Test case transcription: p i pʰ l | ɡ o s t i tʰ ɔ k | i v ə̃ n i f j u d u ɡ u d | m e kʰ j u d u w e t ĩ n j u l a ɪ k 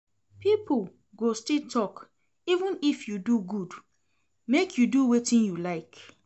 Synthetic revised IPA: p i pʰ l | ɡ o s t i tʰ ɔ k | i v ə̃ n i f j u d u ɡ u d | m e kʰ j u d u w e t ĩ n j u l a ɪ k